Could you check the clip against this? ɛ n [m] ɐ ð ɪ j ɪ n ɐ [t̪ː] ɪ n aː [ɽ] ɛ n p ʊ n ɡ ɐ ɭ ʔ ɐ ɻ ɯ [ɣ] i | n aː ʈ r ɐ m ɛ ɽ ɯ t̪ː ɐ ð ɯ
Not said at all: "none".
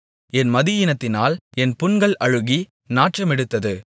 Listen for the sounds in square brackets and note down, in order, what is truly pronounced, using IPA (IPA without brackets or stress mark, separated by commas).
m, t̪ː, l, ɣ